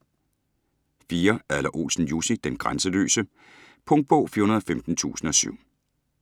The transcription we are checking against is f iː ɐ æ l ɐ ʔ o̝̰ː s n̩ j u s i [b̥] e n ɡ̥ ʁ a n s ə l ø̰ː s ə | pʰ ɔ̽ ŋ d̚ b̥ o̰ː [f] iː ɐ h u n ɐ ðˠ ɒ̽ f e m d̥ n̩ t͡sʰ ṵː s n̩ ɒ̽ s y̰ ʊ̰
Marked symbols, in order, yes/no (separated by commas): no, yes